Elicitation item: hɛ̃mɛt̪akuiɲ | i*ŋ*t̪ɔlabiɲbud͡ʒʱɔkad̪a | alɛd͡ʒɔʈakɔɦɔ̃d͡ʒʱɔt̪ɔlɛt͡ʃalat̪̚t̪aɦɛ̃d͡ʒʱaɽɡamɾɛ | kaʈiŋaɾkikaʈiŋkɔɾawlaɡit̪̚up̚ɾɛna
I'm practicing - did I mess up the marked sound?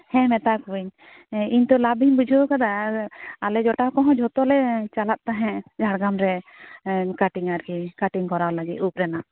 yes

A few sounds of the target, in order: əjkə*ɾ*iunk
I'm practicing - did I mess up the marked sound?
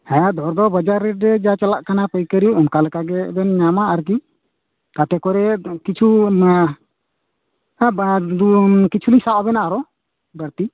no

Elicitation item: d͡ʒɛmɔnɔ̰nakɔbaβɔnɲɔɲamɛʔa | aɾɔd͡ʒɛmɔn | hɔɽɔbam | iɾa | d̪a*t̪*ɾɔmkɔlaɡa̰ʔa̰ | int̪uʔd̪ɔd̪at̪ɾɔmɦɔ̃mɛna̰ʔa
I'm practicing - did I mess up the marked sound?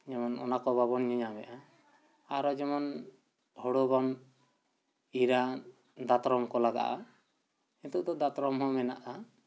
no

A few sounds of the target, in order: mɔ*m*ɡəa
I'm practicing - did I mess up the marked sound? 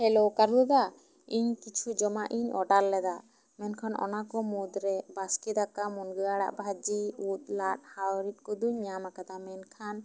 yes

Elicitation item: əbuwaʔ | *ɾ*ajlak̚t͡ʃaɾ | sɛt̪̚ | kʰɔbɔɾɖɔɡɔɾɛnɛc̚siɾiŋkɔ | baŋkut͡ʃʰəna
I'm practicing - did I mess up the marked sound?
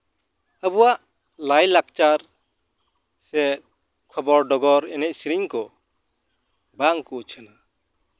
yes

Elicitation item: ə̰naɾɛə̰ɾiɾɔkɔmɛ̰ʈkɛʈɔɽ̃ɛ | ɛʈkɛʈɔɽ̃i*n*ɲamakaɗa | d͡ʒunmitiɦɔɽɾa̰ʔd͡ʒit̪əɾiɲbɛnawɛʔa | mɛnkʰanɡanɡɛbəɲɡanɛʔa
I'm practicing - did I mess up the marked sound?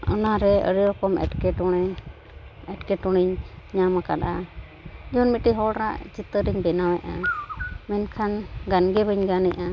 yes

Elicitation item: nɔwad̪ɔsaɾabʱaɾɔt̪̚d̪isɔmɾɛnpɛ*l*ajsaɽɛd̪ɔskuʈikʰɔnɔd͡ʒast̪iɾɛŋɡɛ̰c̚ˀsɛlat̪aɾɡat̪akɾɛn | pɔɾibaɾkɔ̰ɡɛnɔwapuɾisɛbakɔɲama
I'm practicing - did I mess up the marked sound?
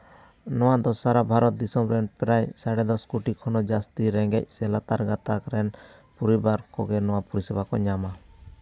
yes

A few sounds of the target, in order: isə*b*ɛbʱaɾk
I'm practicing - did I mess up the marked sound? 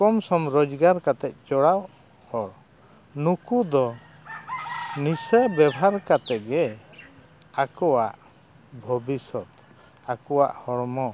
no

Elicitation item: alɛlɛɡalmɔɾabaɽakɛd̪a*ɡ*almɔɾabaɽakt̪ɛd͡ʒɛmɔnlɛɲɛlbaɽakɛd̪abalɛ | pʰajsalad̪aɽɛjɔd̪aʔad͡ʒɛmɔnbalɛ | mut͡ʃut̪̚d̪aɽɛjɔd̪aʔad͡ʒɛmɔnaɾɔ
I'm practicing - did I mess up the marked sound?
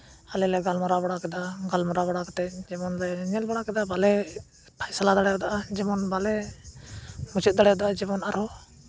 no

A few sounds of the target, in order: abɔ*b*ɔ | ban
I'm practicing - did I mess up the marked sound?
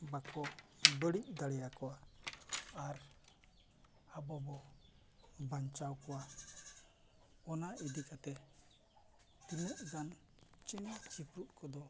no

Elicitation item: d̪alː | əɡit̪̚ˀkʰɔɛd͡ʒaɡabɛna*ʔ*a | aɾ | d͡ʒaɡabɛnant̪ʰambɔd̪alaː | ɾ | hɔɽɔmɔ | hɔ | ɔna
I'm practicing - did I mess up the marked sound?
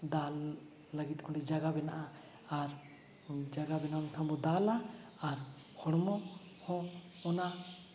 no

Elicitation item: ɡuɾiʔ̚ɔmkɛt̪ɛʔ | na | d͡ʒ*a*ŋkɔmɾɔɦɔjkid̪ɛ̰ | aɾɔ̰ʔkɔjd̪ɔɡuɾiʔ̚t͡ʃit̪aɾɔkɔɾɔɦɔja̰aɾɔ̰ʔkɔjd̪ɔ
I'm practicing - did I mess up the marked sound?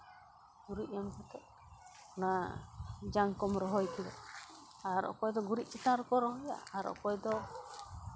no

